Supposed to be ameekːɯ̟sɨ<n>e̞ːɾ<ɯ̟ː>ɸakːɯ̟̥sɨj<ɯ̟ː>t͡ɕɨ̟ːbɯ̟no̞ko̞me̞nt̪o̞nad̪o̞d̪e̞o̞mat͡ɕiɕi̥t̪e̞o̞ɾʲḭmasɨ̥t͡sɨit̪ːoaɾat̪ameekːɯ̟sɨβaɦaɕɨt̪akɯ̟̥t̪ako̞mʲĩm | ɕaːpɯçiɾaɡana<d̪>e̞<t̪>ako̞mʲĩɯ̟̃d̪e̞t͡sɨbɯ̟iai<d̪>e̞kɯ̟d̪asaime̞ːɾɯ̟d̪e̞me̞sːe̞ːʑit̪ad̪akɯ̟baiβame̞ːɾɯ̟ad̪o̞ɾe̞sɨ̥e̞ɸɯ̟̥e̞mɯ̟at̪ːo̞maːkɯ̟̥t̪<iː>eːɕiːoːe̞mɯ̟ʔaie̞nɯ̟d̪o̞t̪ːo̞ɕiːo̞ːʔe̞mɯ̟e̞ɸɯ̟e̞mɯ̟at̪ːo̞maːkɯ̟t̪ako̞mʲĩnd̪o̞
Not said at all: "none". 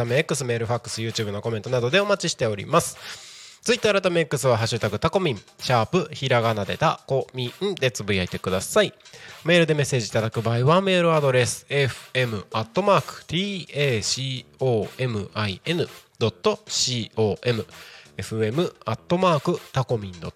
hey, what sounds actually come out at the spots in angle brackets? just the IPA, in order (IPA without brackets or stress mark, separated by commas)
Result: m, ɯ̟, ɯ̟ː, d̪, t̪, t̪, iː